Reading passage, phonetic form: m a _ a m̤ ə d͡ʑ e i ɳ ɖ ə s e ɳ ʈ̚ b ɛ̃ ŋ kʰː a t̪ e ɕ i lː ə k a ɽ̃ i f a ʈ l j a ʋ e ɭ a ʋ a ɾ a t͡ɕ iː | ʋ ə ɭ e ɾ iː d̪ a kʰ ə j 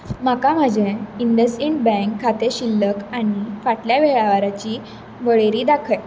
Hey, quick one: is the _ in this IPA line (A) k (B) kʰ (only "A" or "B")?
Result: A